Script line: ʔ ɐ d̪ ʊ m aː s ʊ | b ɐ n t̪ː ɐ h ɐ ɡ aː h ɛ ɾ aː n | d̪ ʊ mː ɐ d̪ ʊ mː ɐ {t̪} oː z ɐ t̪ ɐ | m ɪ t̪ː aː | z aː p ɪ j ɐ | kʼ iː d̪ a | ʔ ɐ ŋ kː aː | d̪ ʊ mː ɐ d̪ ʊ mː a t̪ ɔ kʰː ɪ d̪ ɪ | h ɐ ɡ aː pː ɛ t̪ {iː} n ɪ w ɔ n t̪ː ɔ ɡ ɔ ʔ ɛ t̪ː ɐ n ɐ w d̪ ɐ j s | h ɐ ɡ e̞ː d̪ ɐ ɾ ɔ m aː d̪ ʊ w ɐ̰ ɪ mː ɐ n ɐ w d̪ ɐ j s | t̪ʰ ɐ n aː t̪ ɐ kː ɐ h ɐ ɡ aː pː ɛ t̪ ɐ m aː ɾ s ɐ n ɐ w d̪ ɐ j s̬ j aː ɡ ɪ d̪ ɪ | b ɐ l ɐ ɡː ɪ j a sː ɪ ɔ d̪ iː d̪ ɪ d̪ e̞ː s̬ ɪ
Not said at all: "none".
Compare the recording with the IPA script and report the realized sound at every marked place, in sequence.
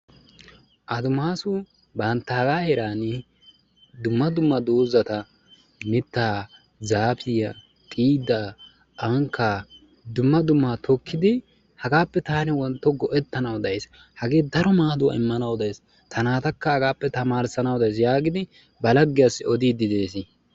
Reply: d̪, aː

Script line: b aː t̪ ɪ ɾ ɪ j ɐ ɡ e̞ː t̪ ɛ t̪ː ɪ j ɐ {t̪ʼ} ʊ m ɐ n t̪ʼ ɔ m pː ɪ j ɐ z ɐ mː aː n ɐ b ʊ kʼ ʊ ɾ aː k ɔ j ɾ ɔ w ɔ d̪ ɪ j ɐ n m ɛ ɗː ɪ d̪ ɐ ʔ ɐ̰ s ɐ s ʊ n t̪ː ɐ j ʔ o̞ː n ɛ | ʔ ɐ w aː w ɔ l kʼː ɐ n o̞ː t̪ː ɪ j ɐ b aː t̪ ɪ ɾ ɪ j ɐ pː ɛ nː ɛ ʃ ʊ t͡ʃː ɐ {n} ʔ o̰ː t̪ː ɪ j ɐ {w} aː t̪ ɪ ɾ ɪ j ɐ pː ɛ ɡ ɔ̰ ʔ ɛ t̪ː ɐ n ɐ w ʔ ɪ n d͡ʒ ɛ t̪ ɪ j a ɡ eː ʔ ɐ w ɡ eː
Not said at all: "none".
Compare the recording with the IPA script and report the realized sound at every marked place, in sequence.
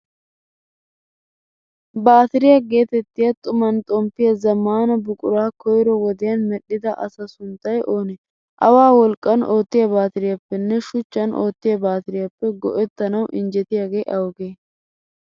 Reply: t̪ʼ, n, b

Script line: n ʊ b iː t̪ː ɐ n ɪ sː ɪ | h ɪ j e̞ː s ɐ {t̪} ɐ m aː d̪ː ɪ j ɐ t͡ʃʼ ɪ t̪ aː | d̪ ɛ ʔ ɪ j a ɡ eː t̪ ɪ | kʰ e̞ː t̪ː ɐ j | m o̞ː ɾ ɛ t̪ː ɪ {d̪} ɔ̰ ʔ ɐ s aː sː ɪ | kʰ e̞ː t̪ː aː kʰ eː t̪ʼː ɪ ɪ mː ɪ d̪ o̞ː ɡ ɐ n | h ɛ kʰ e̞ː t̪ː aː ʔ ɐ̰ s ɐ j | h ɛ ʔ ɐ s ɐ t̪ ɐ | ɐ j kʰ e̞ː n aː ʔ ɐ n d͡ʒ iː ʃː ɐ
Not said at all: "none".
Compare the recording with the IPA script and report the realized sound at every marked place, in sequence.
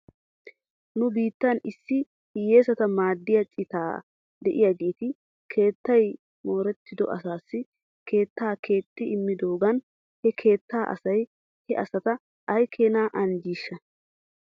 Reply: t̪, d̪

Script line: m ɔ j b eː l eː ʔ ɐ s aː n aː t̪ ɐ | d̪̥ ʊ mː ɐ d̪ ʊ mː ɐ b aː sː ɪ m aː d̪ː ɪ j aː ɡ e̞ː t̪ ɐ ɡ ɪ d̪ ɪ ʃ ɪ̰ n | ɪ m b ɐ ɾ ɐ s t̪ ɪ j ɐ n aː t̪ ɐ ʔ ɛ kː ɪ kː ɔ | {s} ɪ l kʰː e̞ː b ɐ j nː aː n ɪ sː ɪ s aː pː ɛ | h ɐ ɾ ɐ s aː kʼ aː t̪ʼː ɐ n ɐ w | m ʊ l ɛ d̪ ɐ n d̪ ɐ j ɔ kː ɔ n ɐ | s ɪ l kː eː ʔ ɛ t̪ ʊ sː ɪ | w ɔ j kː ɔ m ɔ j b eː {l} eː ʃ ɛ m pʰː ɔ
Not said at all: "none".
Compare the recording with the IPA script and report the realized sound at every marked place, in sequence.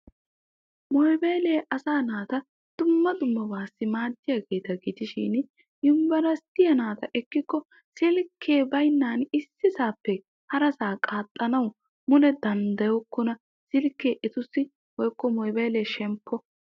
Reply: s, l

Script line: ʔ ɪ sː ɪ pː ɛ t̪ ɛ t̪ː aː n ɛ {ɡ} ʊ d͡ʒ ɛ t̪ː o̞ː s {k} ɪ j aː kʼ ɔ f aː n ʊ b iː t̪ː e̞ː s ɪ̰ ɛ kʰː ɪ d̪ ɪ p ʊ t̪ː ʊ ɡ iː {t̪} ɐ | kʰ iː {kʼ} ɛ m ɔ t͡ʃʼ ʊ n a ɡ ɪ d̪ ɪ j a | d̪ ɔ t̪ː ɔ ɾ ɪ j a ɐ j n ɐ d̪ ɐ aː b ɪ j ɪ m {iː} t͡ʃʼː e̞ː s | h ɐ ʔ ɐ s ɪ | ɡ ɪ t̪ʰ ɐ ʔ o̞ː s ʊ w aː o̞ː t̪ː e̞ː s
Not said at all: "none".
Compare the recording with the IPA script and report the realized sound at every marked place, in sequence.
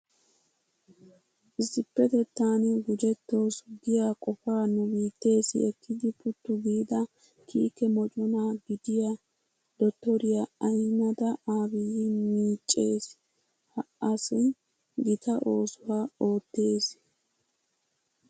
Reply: ɡ, ɡ, d̪, k, iː

